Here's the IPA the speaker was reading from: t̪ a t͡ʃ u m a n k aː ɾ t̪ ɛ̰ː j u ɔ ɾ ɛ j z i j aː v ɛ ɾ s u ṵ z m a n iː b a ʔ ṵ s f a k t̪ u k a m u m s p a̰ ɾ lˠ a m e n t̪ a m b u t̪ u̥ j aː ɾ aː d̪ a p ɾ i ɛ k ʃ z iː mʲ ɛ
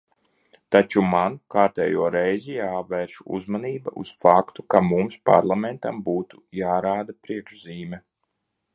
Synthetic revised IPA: t̪ a t͡ʃ u m a n k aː ɾ t̪ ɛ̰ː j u ɔ ɾ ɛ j z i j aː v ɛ ɾ ʃ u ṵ z m a n iː b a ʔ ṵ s f a k t̪ u k a m u m s p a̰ ɾ lˠ a m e n t̪ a m b uː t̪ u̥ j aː ɾ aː d̪ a p ɾ i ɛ k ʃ z iː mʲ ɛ

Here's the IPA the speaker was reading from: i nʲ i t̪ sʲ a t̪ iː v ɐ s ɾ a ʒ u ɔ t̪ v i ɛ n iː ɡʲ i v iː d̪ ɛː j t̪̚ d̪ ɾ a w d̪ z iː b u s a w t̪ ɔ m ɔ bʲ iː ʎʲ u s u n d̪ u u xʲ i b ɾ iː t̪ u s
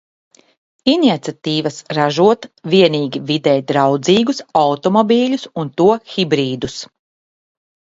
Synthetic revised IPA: i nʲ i t̪ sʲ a t̪ iː v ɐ s ɾ a ʒ u ɔ t̪ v i ɛ n iː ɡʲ i v i d̪ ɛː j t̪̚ d̪ ɾ a w d̪ z iː ɡ u s a w t̪ ɔ m ɔ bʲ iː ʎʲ u s u n t̪ u ɔ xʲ i b ɾ iː d̪ u s

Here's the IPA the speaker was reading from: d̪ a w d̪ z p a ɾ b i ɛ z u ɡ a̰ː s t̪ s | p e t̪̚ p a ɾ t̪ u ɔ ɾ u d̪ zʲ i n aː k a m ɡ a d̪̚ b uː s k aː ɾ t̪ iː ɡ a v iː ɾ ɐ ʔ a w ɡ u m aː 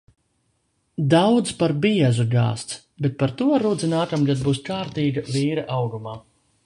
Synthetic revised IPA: d̪ a w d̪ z p a ɾ b i ɛ z u ɡ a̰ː s t̪ s | b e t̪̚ p a ɾ t̪ u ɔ ɾ u d̪ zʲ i n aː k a m ɡ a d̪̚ b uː s k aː ɾ t̪ iː ɡ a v iː ɾ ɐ ʔ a w ɡ u m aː

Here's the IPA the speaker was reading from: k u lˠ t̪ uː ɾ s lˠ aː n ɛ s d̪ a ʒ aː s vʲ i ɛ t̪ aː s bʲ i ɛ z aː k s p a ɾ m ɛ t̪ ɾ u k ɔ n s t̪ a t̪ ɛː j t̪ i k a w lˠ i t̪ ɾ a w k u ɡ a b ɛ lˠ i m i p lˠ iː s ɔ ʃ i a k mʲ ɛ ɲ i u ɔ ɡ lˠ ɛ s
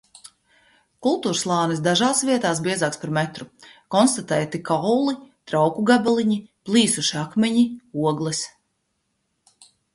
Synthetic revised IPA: k u lˠ t̪ uː ɾ s lˠ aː n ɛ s d̪ a ʒ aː s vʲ i ɛ t̪ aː s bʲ i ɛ z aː k s p a ɾ m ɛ t̪ ɾ u k ɔ n s t̪ a t̪ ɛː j t̪ i k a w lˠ i t̪ ɾ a w k u ɡ a b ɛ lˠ i ɲ i p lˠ iː s u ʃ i a k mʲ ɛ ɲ i u ɔ ɡ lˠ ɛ s

